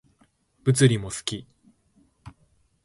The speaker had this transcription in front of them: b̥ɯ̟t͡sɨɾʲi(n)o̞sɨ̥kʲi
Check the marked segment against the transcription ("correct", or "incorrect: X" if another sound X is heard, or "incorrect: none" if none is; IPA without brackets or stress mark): incorrect: m